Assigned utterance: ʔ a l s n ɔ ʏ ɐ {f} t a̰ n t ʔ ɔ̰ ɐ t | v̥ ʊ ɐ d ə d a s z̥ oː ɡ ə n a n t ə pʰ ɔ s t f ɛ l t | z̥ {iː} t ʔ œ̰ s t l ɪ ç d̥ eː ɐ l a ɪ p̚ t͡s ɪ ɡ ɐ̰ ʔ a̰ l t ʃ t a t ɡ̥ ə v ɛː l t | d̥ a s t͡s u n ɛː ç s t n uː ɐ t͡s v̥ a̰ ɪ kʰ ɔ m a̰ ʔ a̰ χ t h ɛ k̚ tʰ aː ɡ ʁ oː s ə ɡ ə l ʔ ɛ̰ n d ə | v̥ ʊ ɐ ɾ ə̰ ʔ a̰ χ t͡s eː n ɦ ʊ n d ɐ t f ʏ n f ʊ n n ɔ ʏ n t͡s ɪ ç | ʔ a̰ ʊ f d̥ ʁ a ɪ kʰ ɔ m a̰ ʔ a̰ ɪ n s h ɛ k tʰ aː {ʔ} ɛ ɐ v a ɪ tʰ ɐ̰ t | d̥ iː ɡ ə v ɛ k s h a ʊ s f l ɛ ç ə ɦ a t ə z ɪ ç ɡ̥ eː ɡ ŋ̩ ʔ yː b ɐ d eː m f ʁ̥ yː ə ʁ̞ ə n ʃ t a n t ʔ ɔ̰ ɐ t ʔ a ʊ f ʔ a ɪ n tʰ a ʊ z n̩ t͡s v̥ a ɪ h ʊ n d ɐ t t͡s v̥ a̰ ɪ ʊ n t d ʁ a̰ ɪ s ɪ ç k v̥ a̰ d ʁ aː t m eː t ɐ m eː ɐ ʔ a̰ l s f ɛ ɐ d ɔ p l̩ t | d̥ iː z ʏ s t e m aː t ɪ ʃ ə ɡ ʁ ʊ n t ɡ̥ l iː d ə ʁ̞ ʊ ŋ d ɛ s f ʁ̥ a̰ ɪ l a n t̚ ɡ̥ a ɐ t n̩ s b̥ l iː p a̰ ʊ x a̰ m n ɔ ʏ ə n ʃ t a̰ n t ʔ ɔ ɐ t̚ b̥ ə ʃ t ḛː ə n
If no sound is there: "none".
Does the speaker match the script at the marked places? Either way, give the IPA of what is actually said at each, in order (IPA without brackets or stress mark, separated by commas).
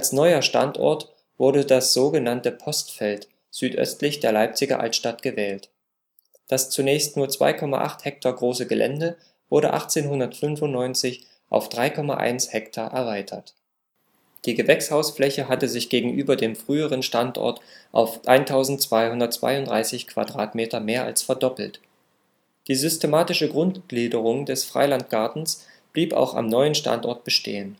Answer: ʃ, yː, ʔ